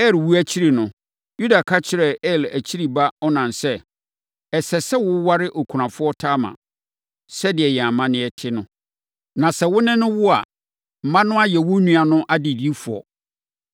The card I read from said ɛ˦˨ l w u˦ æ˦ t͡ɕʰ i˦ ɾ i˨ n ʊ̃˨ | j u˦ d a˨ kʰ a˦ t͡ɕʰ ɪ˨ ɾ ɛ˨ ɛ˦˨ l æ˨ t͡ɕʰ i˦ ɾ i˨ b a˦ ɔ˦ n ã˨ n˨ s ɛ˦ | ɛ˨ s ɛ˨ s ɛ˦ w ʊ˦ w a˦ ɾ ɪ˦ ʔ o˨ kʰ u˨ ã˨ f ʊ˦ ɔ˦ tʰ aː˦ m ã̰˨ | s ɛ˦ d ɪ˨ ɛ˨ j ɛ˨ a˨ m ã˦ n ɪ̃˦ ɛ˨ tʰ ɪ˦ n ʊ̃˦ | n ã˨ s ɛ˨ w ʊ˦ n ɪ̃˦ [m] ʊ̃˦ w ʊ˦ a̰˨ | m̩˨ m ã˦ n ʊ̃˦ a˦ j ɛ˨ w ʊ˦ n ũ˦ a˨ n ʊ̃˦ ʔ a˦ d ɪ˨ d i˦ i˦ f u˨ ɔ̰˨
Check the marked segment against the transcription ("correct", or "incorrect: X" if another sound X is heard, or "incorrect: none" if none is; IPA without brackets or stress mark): incorrect: n